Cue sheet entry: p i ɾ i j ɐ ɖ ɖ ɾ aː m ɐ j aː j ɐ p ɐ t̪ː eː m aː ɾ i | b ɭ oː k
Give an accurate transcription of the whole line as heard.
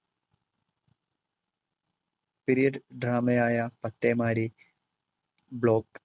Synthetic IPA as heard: p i ɾ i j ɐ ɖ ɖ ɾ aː m ɐ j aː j ɐ p ɐ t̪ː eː m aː ɾ i | b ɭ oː k